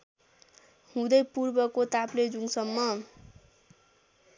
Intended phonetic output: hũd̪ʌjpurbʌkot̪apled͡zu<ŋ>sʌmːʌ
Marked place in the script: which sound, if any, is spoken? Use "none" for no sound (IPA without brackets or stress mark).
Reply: ŋ